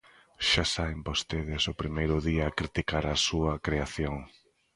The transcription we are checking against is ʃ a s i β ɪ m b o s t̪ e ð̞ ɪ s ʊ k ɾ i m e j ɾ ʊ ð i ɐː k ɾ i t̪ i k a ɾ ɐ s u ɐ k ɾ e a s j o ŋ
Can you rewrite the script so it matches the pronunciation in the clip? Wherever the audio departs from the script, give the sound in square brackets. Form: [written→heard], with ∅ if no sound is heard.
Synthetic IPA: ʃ a s [i→a] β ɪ m b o s t̪ e ð̞ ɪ s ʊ [k→p] ɾ i m e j ɾ ʊ ð i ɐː k ɾ i t̪ i k a ɾ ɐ s u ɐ k ɾ e a [s→θ] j o ŋ